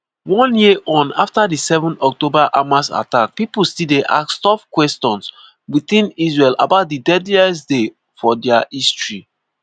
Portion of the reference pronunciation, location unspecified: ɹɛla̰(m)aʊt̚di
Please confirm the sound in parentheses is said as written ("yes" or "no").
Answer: no